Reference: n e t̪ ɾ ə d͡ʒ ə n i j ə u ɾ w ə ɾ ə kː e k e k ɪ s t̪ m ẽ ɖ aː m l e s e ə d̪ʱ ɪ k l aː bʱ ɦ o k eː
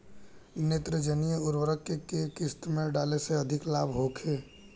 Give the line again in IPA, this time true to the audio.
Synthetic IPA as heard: n e t̪ ɾ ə d͡ʒ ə n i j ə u ɾ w ə ɾ ə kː e k e k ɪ s t̪ m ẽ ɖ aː l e s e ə d̪ʱ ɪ k l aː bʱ ɦ o kʰ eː